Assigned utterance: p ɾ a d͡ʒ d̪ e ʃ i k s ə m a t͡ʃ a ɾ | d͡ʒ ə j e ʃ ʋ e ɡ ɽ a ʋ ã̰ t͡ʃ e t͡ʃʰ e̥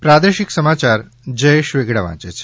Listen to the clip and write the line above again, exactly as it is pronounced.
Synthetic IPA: p ɾ a d̪ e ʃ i k s ə m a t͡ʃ a ɾ | d͡ʒ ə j e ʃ ʋ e ɡ ɽ a ʋ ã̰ t͡ʃ e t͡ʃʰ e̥